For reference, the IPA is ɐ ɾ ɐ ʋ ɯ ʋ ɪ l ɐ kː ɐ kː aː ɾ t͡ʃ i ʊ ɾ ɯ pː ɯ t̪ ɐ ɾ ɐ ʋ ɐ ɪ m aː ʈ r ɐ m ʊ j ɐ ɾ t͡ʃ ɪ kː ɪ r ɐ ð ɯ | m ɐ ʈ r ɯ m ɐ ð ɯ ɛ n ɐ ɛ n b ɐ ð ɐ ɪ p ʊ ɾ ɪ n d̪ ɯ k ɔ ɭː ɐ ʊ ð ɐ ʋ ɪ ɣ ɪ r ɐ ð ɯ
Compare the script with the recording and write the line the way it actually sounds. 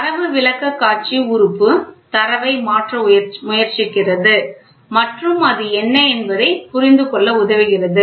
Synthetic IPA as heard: ɐ ɾ ɐ ʋ ɯ ʋ ɪ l ɐ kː ɐ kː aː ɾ t͡ʃ i ʊ ɾ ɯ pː ɯ t̪ ɐ ɾ ɐ ʋ ɐ ɪ m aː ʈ r ɐ m ʊ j ɐ ɾ t͡ʃ ɪ kː ɪ r ɐ ð ɯ | m ɐ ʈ r ɯ m ɐ ð ɯ ɛ nː ɐ ɛ n b ɐ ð ɐ ɪ p ʊ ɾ ɪ n d̪ ɯ k ɔ ɭː ɐ ʊ ð ɐ ʋ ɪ ɣ ɪ r ɐ ð ɯ